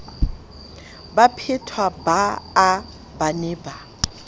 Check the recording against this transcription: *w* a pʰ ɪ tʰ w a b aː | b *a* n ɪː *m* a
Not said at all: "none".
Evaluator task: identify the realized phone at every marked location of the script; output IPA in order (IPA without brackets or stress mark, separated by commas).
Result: b, a, b